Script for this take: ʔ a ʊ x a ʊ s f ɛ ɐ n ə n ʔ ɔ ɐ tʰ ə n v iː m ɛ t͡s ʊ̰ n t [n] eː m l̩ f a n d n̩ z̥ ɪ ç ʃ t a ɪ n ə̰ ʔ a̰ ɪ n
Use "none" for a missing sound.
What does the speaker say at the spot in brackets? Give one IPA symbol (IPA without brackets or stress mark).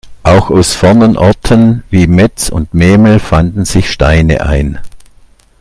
m